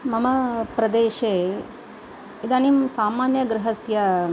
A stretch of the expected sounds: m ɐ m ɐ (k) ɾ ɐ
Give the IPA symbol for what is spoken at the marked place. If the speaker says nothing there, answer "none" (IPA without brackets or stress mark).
p